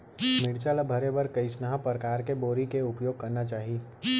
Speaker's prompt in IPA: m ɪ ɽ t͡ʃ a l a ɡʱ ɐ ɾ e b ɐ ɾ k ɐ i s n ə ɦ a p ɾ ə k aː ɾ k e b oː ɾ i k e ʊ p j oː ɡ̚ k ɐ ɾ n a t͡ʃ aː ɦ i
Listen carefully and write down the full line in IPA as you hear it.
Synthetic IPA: m ɪ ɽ t͡ʃ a l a bʱ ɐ ɾ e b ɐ ɾ k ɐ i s n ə ɦ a p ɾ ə k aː ɾ k e b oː ɾ i k e ʊ p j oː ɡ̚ k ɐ ɾ n a t͡ʃ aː ɦ i